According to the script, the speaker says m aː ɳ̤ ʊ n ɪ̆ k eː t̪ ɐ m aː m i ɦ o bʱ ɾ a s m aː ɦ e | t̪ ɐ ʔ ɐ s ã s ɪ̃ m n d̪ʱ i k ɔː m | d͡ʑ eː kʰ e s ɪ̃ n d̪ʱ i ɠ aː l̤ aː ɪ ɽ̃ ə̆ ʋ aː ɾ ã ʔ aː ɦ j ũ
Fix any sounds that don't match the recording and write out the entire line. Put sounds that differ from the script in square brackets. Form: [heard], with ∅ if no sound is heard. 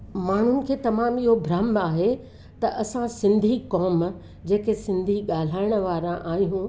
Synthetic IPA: m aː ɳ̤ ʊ n ɪ̆ [kʰ] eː t̪ ɐ m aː m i ɦ o bʱ ɾ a [∅] m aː ɦ e | t̪ ɐ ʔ ɐ s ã s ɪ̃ [∅] n d̪ʱ i k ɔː m | d͡ʑ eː [k] e s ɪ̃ n d̪ʱ i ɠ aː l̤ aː ɪ ɽ̃ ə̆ ʋ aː ɾ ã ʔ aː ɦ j ũ

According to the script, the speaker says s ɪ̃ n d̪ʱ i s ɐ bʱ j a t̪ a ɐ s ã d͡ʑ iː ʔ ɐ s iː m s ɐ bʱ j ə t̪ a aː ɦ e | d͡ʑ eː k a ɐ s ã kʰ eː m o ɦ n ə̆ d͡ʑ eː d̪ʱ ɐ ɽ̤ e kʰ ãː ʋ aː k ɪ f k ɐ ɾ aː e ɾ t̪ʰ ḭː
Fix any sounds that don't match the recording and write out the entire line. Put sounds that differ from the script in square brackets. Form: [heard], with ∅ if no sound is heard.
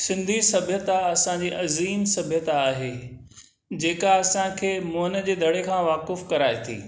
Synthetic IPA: s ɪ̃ n d̪ʱ i s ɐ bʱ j [ə] t̪ a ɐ s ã d͡ʑ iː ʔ ɐ [z] iː m s ɐ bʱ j ə t̪ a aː ɦ e | d͡ʑ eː k a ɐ s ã kʰ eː m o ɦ n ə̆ d͡ʑ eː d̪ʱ ɐ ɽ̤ e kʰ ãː ʋ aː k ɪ f k ɐ ɾ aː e [∅] t̪ʰ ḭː

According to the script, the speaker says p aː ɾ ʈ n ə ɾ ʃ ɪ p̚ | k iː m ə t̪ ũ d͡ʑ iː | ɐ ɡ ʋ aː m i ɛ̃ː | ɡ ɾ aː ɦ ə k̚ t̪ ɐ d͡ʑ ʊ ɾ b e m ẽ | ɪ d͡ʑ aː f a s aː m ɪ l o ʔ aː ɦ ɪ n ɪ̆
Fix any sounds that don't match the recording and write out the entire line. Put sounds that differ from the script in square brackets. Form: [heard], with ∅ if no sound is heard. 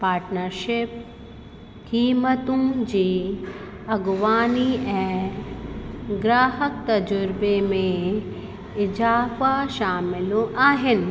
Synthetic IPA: p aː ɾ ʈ n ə ɾ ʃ ɪ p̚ | k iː m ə t̪ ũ d͡ʑ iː | ɐ ɡ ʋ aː [n] i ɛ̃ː | ɡ ɾ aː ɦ ə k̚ t̪ ɐ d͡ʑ ʊ ɾ b e m ẽ | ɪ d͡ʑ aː f a [ʃ] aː m ɪ l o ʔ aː ɦ ɪ n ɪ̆

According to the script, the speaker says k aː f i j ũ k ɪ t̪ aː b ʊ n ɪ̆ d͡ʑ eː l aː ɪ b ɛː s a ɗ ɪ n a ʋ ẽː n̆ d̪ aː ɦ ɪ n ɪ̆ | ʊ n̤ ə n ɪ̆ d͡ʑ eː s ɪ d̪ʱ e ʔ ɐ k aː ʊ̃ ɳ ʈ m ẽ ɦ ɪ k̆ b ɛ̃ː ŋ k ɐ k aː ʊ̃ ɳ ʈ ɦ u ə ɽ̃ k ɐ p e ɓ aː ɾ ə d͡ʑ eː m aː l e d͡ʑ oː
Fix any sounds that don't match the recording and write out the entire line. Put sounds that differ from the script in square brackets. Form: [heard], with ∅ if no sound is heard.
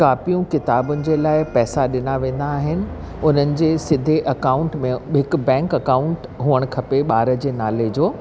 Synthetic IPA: k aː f i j ũ k ɪ t̪ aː b ʊ n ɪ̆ d͡ʑ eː l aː ɪ [p] ɛː s a ɗ ɪ n a ʋ ẽː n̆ d̪ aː ɦ ɪ n ɪ̆ | ʊ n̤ ə n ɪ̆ d͡ʑ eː s ɪ d̪ʱ e ʔ ɐ k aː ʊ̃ ɳ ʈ m ẽ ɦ ɪ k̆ b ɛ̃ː ŋ k ɐ k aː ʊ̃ ɳ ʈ ɦ u ə ɽ̃ [kʰ] ɐ p e ɓ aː ɾ ə d͡ʑ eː [n] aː l e d͡ʑ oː

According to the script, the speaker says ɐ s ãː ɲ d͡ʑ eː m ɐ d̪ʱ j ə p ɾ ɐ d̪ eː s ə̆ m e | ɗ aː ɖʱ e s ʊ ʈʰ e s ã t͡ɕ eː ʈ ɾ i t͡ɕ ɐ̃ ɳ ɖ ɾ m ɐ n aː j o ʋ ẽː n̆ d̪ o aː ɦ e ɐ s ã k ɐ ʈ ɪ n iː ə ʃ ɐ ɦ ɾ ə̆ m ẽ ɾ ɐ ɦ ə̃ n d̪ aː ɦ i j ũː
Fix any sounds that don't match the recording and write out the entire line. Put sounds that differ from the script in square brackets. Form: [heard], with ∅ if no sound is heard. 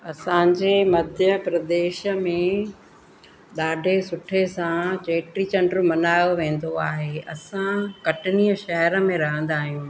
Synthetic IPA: ɐ s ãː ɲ d͡ʑ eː m ɐ d̪ʱ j ə p ɾ ɐ d̪ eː [ʃ] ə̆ m [ẽ] | ɗ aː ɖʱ e s ʊ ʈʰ e s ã t͡ɕ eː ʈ ɾ i t͡ɕ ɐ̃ ɳ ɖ ɾ m ɐ n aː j o ʋ ẽː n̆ d̪ o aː ɦ e ɐ s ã k ɐ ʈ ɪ n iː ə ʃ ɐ ɦ ɾ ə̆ m ẽ ɾ ɐ ɦ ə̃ n d̪ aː ɦ i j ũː

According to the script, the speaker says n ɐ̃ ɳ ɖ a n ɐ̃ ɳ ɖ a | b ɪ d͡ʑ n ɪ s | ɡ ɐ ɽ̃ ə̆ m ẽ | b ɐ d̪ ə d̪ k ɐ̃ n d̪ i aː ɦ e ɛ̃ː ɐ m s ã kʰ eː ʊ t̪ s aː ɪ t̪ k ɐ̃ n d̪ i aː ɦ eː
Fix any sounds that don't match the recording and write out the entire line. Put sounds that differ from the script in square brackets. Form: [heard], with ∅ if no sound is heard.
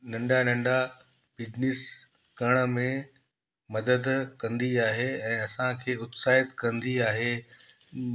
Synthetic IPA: n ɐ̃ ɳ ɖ a n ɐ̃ ɳ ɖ a | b ɪ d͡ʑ n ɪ s | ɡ ɐ ɽ̃ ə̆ m ẽ | [m] ɐ d̪ ə d̪ k ɐ̃ n d̪ i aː ɦ e ɛ̃ː ɐ [∅] s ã kʰ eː ʊ t̪ s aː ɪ t̪ k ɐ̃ n d̪ i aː ɦ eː

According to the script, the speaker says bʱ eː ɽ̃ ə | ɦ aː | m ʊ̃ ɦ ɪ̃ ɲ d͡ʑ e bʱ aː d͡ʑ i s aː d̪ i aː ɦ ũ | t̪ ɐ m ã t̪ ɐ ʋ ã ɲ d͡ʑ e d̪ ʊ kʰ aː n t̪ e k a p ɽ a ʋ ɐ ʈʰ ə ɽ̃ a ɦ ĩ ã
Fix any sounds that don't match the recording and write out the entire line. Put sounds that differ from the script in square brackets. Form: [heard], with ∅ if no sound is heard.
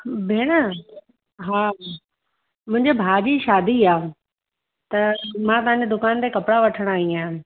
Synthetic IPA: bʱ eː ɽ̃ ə | ɦ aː | m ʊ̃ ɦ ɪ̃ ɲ d͡ʑ e bʱ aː d͡ʑ i [ʃ] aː d̪ i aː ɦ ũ | t̪ ɐ m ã t̪ ɐ ʋ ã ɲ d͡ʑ e d̪ ʊ [k] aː n t̪ e k [ɐ] p ɽ a ʋ ɐ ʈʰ ə ɽ̃ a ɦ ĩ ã

